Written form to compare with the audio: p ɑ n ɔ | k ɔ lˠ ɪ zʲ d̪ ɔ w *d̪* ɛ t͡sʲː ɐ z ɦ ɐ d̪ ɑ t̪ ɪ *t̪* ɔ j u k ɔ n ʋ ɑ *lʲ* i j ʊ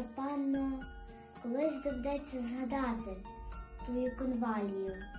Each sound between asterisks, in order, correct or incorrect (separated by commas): correct, correct, correct